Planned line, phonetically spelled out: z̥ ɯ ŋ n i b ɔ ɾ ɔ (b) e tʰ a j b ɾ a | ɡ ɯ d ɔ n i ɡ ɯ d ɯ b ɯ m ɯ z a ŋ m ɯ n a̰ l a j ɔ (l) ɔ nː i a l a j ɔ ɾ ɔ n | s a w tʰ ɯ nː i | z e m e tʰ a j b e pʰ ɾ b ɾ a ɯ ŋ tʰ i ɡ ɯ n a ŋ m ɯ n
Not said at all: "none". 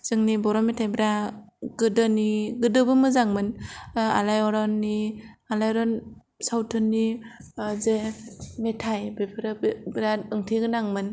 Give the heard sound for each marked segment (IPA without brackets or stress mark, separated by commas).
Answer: m, ɾ